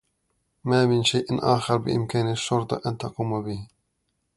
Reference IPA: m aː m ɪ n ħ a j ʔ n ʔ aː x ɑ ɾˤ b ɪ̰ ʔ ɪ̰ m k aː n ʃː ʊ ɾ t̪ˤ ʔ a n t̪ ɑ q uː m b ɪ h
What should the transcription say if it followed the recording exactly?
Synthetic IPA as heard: m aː m ɪ n ʃ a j ʔ n ʔ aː x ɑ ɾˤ b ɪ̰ ʔ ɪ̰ m k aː n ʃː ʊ ɾ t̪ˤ ʔ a n t̪ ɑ q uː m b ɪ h